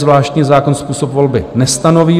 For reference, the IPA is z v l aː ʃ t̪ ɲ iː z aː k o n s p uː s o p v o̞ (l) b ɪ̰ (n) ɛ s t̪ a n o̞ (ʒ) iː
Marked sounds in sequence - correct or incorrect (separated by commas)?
correct, correct, incorrect